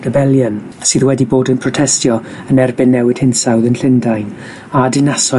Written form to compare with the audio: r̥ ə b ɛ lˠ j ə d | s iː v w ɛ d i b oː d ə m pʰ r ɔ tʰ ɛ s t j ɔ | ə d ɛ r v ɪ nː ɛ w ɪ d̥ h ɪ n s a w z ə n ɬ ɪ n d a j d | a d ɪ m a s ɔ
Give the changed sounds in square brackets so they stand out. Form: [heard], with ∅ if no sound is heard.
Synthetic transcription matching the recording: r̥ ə b ɛ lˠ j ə [n] | s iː [ð] w ɛ d i b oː d ə [n] pʰ r ɔ tʰ ɛ s t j ɔ | ə [n] ɛ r [b] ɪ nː ɛ w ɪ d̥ h ɪ n s a w [ð] ə n ɬ ɪ n d a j [n] | a d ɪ [n] a s ɔ